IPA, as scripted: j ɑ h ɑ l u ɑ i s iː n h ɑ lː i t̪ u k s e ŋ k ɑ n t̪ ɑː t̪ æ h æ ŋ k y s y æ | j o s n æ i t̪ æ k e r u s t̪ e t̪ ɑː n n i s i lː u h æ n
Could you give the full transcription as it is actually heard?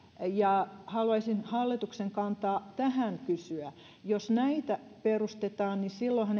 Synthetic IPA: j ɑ h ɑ l u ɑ i s i n h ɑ lː i t̪ u k s e ŋ k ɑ n t̪ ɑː t̪ æ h æ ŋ k y s y æ | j o s n æ i t̪ æ p e r u s t̪ e t̪ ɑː n n i s i lː o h æ n